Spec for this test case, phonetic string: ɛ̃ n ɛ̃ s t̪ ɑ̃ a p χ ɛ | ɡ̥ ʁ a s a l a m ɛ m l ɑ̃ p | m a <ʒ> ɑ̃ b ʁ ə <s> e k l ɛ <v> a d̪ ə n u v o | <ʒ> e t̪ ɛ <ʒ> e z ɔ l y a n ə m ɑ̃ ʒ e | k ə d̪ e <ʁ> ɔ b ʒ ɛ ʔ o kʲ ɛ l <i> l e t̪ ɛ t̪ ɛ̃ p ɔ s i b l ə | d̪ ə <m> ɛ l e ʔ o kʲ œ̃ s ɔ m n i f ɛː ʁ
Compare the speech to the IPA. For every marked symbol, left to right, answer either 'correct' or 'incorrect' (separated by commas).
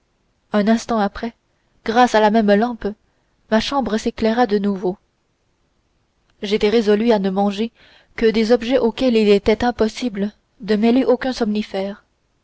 incorrect, correct, incorrect, correct, incorrect, incorrect, correct, correct